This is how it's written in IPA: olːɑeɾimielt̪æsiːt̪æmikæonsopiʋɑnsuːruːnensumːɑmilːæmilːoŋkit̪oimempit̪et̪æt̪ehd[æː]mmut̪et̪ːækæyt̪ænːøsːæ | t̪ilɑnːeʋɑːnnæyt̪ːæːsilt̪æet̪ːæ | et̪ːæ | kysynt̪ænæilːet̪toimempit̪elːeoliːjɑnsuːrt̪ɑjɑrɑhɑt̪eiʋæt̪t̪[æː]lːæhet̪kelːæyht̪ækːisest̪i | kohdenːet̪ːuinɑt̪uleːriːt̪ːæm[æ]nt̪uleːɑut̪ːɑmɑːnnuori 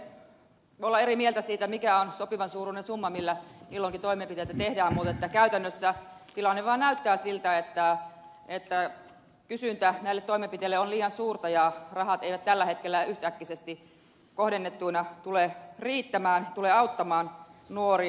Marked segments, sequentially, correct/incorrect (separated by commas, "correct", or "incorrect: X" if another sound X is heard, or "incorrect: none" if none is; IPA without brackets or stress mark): correct, incorrect: æ, incorrect: æː